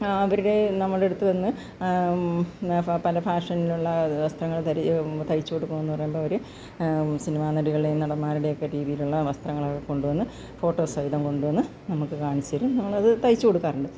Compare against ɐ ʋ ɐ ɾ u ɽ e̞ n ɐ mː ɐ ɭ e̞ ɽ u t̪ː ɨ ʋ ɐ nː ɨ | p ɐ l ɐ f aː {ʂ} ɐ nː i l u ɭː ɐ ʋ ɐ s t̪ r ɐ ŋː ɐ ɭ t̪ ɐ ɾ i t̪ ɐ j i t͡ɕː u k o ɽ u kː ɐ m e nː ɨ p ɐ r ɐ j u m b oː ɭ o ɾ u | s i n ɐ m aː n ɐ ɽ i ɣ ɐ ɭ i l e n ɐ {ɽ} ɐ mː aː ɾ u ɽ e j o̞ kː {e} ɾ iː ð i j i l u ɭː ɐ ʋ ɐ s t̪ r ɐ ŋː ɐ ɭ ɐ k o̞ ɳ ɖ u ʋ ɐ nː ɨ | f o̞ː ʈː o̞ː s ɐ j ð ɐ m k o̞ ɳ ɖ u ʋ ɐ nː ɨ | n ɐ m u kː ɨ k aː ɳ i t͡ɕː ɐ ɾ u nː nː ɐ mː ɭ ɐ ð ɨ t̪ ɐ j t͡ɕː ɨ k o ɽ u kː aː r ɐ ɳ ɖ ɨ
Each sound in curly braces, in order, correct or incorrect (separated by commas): correct, correct, correct